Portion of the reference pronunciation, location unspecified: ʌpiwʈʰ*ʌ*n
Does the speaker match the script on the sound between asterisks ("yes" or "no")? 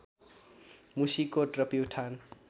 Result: no